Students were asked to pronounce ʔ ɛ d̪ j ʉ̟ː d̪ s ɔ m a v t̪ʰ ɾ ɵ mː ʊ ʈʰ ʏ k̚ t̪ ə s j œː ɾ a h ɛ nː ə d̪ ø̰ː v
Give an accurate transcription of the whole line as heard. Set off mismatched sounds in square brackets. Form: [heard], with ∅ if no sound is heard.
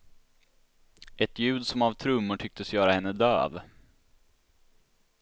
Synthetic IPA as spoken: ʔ ɛ [t̪] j ʉ̟ː d̪ s ɔ m a v t̪ʰ ɾ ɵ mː ʊ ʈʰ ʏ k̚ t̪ ə s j œː ɾ a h ɛ nː ə d̪ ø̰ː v